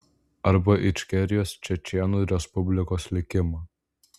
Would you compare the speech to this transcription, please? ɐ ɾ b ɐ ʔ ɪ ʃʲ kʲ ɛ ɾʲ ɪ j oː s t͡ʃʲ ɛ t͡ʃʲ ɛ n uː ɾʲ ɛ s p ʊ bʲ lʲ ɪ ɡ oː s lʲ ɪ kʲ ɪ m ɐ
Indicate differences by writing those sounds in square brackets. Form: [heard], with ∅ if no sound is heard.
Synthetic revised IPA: ɐ ɾ b ɐ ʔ ɪ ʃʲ kʲ ɛ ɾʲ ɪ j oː s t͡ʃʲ ɛ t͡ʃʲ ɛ n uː ɾʲ ɛ s p ʊ bʲ lʲ ɪ [k] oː s lʲ ɪ kʲ ɪ m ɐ